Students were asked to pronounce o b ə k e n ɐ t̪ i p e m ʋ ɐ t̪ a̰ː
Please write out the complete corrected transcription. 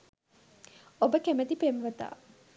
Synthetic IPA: o b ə k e m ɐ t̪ i p e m ʋ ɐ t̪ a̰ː